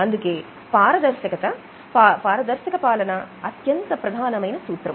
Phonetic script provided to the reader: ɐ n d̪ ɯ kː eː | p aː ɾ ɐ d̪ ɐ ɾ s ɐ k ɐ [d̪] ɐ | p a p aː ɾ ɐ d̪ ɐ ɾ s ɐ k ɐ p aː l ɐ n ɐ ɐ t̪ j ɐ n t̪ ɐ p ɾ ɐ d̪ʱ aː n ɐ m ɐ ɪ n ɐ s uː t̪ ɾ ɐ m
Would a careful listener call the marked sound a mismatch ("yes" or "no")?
yes